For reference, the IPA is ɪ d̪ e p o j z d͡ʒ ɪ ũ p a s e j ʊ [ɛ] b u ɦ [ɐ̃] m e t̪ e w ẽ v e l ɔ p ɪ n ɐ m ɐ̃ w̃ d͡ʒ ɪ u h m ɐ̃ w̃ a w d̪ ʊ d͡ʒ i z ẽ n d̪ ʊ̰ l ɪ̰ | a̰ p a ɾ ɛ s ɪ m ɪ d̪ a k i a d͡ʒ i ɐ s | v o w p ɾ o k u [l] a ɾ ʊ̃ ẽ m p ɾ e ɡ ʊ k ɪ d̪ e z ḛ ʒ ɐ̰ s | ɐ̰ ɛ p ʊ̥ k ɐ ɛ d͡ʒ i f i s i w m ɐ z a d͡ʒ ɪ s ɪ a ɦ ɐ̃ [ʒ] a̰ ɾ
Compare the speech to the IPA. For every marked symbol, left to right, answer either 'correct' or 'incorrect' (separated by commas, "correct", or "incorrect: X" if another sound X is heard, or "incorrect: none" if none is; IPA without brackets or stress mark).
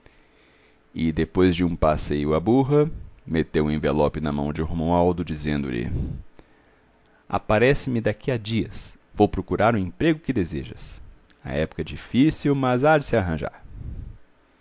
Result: incorrect: a, incorrect: ɐ, incorrect: ɾ, correct